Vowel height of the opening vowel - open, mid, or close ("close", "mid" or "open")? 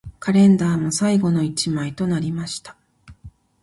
open